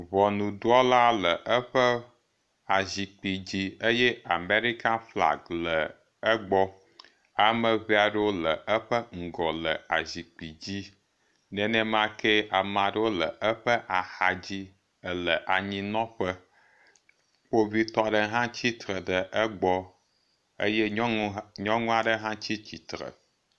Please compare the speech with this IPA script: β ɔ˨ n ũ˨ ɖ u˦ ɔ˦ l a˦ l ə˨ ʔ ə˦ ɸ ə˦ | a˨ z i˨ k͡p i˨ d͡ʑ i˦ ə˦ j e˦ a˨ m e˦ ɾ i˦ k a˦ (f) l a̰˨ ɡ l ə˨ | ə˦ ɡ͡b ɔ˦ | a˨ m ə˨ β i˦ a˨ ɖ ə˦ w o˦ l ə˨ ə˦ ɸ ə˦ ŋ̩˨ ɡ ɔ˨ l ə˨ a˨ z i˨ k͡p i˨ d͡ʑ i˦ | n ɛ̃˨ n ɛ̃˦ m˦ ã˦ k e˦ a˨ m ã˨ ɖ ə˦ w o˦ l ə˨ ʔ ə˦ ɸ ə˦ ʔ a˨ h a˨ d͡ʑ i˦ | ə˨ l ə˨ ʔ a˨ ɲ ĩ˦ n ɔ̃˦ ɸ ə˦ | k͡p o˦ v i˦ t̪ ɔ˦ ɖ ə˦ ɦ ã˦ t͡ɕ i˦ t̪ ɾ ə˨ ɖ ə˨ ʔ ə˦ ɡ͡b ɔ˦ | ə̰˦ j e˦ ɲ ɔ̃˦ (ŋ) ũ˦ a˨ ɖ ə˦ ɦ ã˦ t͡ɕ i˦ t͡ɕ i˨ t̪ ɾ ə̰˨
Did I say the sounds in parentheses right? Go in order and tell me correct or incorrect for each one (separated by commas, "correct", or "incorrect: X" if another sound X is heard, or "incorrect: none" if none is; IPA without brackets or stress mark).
correct, correct